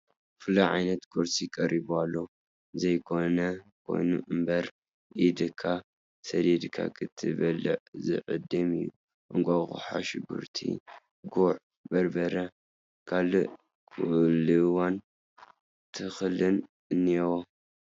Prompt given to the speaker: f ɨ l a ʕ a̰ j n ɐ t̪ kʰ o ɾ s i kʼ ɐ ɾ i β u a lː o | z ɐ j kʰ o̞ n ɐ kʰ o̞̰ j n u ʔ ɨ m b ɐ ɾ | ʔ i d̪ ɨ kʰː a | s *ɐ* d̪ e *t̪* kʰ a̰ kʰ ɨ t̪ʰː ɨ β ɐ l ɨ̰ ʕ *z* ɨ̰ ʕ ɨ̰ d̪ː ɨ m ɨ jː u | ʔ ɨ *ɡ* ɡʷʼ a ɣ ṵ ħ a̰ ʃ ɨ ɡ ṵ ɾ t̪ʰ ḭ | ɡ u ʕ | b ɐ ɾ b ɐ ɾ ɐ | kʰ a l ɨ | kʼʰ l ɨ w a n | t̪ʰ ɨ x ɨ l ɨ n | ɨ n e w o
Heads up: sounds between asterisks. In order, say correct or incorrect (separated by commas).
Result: correct, incorrect, correct, incorrect